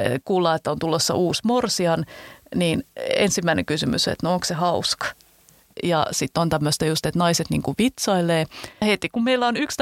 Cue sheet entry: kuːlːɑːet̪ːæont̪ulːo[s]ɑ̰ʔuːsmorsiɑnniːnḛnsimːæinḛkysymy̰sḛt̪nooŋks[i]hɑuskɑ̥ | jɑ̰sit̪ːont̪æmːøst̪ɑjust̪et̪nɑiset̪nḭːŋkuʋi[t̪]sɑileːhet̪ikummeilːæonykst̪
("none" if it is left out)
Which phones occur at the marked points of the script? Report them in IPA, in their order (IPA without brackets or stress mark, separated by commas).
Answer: sː, e, t̪